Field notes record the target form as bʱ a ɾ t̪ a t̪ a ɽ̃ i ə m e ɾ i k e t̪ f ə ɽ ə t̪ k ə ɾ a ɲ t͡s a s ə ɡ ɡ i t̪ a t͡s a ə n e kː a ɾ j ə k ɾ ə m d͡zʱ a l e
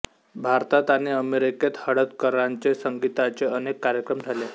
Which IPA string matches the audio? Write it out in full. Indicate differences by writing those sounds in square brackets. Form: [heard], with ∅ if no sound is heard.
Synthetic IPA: bʱ a ɾ t̪ a t̪ a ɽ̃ i ə m e ɾ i k e t̪ [h] ə ɽ ə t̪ k ə ɾ a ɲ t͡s [e] s ə [ŋ] ɡ i t̪ a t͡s [e] ə n e kː a ɾ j ə k ɾ ə m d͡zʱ a l e